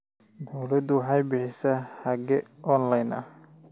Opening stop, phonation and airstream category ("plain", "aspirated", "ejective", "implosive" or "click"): plain